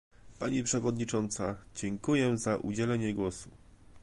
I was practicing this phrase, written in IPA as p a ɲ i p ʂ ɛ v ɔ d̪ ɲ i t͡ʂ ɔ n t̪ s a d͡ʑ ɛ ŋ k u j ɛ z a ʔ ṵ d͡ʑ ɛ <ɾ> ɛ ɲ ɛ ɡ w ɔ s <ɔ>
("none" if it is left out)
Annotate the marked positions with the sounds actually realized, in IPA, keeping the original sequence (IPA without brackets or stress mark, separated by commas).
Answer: l, u